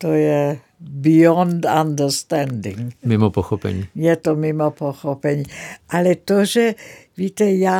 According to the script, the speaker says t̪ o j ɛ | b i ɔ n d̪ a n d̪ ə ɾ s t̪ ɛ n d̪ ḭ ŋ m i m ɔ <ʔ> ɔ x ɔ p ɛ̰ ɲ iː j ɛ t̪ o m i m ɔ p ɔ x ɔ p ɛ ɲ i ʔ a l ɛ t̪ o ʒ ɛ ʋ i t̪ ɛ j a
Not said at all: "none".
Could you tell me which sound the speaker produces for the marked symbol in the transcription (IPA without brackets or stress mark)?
p